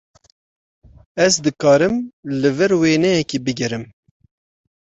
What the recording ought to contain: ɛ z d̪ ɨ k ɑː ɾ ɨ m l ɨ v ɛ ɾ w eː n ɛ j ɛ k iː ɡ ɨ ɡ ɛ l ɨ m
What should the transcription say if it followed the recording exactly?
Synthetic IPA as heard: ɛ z d̪ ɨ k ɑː ɾ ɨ m l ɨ v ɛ ɾ w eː n ɛ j ɛ k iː b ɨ ɡ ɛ ɾ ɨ m